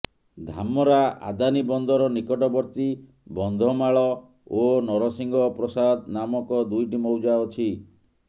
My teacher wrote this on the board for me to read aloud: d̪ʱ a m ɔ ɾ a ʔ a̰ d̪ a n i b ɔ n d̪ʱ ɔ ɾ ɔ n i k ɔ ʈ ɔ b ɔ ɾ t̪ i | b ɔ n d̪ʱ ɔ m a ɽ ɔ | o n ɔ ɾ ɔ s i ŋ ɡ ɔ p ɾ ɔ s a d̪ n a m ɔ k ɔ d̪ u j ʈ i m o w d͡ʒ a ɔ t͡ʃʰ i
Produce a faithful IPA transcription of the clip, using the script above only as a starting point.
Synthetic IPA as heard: d̪ʱ a m ɔ ɾ a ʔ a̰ d̪ a n i b ɔ n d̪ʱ ɔ ɾ ɔ n i k ɔ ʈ ɔ b ɔ ɾ t̪ i | b ɔ n d̪ʱ ɔ m a ɭ ɔ | o n ɔ ɾ ɔ s i ŋ ɡ ɔ p ɾ ɔ s a d̪ n a m ɔ k ɔ d̪ u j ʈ i m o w d͡ʒ a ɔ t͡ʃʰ i